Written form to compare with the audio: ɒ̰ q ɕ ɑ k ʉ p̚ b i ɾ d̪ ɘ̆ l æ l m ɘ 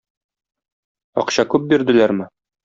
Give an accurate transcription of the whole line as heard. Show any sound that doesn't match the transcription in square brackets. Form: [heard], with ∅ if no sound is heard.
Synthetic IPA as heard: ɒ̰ q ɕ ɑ k ʉ p̚ b i ɾ d̪ ɘ̆ l æ [ɾ] m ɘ